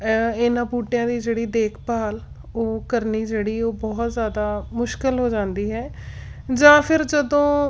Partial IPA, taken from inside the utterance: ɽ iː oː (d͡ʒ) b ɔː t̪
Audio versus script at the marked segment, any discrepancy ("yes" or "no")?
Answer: yes